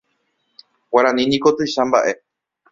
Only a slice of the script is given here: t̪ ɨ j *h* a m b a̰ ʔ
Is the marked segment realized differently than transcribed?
yes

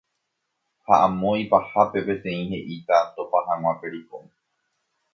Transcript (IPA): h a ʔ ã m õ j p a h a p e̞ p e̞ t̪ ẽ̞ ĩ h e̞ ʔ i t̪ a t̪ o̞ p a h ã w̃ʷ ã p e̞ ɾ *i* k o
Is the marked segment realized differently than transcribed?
no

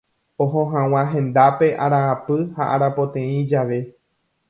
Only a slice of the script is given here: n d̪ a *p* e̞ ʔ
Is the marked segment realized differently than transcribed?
no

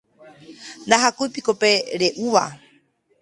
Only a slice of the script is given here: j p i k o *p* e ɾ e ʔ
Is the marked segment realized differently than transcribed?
no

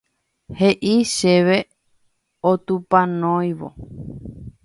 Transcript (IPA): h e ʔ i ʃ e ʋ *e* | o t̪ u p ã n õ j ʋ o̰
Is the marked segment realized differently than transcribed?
no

